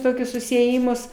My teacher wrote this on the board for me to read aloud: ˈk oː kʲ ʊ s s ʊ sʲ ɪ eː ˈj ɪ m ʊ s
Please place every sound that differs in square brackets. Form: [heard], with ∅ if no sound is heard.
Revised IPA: [ˈt] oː kʲ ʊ s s ʊ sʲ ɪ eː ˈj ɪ m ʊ s